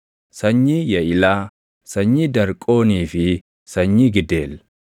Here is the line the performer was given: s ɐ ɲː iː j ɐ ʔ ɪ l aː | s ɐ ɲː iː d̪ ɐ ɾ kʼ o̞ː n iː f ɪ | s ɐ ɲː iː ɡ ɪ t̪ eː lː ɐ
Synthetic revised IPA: s ɐ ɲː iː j ɐ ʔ ɪ l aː | s ɐ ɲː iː d̪ ɐ ɾ kʼ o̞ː n iː f ɪ | s ɐ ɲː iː ɡ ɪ d̪ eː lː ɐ